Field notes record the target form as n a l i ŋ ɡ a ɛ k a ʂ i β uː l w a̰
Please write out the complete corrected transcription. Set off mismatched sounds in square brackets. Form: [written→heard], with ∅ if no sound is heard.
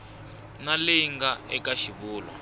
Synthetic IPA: n a l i ŋ ɡ a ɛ k a [ʂ→ʃ] i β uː l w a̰